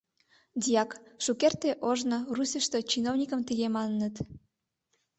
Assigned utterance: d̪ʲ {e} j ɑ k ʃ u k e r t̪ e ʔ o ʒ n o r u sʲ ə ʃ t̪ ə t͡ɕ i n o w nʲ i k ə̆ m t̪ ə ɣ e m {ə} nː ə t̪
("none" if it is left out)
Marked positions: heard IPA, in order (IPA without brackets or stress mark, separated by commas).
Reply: i, ɑ